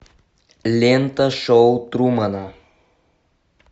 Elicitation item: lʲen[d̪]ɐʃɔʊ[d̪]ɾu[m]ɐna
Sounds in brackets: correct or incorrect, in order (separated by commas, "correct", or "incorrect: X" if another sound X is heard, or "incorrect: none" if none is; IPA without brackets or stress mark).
incorrect: t̪, incorrect: t̪, correct